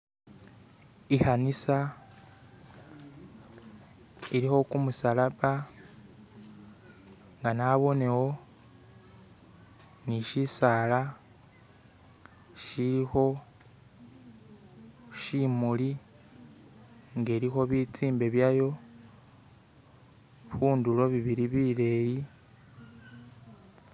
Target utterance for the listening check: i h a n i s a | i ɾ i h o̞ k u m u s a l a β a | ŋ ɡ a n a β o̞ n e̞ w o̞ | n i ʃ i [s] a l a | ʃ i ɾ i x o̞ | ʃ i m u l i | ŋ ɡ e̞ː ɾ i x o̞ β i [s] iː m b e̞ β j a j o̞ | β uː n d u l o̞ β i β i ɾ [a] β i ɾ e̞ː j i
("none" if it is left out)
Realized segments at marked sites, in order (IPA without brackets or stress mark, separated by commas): s, t͡s, i